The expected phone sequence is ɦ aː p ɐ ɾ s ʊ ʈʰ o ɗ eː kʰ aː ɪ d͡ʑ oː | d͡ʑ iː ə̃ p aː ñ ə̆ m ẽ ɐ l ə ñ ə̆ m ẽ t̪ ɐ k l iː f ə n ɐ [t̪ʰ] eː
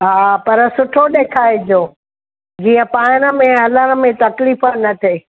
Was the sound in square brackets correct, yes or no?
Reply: yes